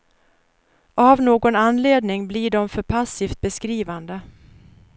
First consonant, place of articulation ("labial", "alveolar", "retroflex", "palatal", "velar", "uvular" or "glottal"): labial